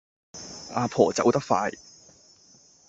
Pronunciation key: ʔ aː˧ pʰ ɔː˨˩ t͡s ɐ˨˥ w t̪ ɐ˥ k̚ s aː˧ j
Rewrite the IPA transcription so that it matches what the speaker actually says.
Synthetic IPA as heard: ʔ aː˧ pʰ ɔː˨˩ t͡s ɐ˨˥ w t̪ ɐ˥ k̚ f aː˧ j